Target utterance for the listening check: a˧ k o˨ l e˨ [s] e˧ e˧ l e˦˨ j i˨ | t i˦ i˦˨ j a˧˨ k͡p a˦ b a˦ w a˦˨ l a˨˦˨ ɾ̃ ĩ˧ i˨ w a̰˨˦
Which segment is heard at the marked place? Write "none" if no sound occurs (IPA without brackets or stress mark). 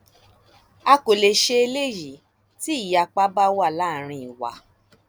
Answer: ʃ